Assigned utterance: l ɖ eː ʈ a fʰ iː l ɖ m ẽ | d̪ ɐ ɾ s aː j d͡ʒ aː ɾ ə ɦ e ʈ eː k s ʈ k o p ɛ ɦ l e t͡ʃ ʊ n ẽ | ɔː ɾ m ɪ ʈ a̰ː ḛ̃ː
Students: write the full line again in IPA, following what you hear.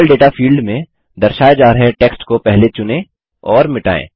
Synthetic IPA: l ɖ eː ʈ a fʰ iː l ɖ m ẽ | d̪ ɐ ɾ ʃ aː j d͡ʒ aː ɾ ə ɦ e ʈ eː k s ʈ k o p ɛ ɦ l e t͡ʃ ʊ n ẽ | ɔː ɾ m ɪ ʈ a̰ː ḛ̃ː